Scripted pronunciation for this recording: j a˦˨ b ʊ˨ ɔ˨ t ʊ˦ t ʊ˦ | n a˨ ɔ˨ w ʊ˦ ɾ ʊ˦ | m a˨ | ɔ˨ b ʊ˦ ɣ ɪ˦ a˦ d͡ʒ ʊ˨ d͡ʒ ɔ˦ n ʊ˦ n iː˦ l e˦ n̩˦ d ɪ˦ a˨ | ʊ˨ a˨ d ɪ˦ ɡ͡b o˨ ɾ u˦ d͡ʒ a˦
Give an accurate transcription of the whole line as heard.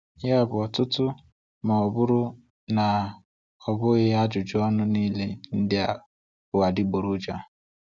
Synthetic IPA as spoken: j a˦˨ b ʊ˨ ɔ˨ t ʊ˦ t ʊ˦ | m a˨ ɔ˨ b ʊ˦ ɾ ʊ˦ | n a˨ | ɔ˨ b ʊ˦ ɣ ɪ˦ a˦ d͡ʒ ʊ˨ d͡ʒ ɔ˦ n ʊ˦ n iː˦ l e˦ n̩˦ d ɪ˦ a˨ | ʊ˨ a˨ d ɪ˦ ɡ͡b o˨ ɾ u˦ d͡ʒ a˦